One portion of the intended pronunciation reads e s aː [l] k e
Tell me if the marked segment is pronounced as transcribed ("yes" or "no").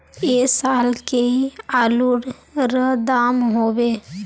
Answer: yes